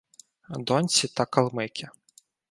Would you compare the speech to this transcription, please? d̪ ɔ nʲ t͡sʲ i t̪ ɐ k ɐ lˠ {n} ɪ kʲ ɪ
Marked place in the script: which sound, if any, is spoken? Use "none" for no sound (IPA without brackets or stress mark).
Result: m